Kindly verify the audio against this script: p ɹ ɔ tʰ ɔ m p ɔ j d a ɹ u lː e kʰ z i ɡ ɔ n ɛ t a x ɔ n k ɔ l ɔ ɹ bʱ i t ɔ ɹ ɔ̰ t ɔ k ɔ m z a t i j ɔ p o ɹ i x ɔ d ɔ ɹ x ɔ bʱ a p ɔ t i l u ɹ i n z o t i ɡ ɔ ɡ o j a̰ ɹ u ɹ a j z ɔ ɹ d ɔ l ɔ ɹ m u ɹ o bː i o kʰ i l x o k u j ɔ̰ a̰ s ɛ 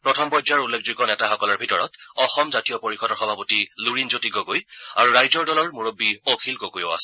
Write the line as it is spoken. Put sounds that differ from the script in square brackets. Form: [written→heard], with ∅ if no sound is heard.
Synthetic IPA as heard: p ɹ ɔ tʰ ɔ m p ɔ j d a ɹ u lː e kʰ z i ɡ ɔ n ɛ t a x ɔ [n→∅] k ɔ l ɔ ɹ bʱ i t ɔ ɹ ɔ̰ t ɔ [k→x] ɔ m z a t i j ɔ p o ɹ i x ɔ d ɔ ɹ x ɔ bʱ a p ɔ t i l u ɹ i n z o t i ɡ ɔ ɡ o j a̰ ɹ u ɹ a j z ɔ ɹ d ɔ l ɔ ɹ m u ɹ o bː i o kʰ i l [x→k] o k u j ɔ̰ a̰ s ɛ